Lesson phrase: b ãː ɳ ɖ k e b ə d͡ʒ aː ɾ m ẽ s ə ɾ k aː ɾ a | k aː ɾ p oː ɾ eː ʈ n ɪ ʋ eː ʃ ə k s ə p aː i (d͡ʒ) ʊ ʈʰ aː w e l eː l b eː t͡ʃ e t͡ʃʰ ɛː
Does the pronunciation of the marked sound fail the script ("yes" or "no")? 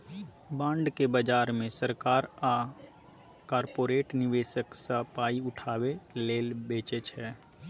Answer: yes